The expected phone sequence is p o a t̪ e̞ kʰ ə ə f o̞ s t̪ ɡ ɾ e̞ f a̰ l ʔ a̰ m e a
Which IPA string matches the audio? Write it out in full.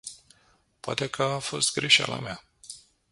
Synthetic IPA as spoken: p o a t̪ e̞ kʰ ə a f o̞ s t̪ ɡ ɾ e̞ ʃ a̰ l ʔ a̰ m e a